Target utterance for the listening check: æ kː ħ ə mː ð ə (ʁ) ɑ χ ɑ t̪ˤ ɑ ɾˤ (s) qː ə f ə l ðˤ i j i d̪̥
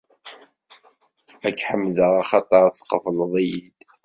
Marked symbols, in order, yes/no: yes, no

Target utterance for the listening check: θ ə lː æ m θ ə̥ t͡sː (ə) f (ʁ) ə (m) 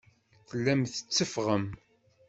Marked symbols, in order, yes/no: yes, yes, yes

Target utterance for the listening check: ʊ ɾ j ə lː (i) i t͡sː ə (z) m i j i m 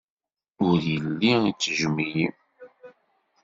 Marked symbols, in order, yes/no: yes, no

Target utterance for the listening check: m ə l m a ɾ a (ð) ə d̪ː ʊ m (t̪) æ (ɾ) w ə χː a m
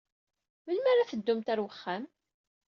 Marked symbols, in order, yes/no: no, yes, yes

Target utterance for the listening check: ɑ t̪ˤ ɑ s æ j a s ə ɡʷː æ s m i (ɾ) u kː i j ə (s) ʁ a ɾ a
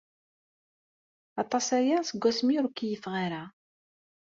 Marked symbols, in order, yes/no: yes, no

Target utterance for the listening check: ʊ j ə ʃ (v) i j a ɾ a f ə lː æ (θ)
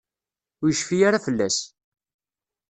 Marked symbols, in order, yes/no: no, no

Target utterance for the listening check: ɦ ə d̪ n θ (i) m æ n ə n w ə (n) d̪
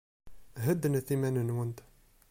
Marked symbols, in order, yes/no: yes, yes

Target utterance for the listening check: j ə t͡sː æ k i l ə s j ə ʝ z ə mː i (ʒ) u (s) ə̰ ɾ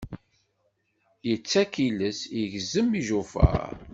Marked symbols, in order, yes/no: yes, no

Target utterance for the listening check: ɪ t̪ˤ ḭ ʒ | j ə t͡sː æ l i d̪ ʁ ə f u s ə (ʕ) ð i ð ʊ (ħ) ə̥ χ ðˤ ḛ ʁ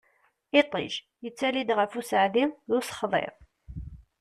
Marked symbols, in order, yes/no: yes, no

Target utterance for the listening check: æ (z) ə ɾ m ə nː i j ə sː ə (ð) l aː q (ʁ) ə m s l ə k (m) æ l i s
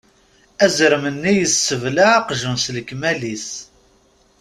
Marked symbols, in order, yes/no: yes, no, no, yes

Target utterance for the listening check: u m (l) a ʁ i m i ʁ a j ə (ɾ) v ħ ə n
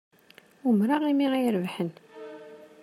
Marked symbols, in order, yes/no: no, yes

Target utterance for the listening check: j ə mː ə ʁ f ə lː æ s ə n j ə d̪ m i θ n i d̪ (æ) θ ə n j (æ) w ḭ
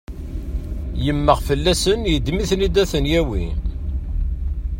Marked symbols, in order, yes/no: yes, yes

